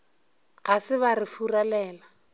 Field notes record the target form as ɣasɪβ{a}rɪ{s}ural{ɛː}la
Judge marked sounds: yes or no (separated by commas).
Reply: yes, no, yes